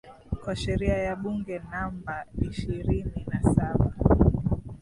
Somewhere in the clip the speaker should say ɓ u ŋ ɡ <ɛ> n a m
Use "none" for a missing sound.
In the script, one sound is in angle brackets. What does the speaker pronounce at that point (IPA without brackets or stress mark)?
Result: ɛ